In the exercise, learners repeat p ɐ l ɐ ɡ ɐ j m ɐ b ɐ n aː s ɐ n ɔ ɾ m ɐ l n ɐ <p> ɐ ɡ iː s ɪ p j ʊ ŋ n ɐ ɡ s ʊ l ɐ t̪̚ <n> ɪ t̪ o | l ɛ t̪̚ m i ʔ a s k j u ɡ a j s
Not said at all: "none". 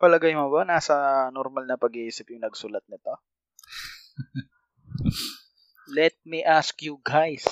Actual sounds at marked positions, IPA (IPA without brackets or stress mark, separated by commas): p, n